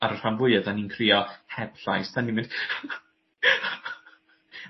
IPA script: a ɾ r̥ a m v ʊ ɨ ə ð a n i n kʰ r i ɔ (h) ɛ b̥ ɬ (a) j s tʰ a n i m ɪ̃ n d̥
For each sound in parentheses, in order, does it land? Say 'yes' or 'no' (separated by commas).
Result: yes, yes